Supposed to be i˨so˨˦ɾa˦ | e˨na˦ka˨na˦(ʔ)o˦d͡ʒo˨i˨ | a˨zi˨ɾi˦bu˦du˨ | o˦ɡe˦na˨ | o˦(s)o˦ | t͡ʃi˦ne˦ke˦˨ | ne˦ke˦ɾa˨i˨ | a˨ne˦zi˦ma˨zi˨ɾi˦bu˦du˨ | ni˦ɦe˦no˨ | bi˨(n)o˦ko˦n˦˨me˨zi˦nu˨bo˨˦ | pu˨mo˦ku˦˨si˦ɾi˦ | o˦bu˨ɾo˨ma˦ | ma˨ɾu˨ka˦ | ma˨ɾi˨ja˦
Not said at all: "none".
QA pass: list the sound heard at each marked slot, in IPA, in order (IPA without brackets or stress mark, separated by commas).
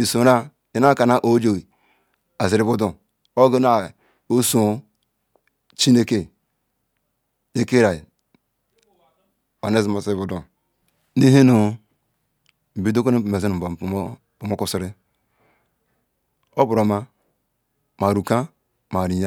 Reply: ʔ, s, d